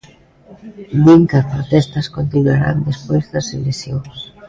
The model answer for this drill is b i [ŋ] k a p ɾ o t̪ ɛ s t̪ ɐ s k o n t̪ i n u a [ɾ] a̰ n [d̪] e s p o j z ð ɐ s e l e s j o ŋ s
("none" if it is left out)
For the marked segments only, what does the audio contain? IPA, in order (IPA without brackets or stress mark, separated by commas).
ŋ, ɾ, d̪